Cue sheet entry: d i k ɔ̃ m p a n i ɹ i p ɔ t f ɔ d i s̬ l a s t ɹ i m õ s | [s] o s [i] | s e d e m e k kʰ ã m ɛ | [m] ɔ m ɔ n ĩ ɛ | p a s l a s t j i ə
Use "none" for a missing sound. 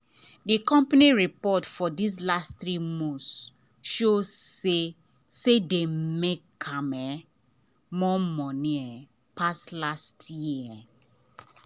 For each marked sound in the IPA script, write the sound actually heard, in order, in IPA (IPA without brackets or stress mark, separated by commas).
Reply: ʃ, e, m